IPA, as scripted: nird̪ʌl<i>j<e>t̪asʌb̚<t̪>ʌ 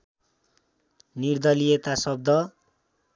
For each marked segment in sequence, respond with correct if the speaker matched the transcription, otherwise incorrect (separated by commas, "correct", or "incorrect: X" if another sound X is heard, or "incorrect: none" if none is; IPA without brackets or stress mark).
correct, correct, incorrect: d̪